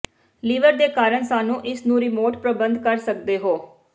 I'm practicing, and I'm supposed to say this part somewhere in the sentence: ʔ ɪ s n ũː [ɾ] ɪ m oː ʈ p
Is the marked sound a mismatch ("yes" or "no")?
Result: no